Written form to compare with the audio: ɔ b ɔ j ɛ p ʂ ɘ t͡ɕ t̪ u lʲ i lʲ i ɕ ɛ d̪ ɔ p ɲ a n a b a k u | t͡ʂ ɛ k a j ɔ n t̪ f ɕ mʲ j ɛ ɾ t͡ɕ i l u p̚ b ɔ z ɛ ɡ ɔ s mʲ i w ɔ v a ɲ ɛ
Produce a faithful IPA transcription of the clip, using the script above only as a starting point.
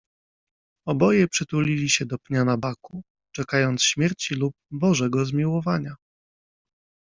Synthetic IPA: ɔ b ɔ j ɛ p ʂ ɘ t̪ u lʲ i lʲ i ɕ ɛ d̪ ɔ p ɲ a n a b a k u | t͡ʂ ɛ k a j ɔ n t̪ s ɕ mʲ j ɛ ɾ t͡ɕ i l u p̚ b ɔ ʐ ɛ ɡ ɔ z mʲ i w ɔ v a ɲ a